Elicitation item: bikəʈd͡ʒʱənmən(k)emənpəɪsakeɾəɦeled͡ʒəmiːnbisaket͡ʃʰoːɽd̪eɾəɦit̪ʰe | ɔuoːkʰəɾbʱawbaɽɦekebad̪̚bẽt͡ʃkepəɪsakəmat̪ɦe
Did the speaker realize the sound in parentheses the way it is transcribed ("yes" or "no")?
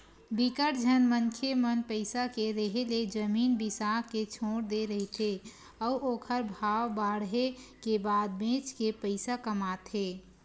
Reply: no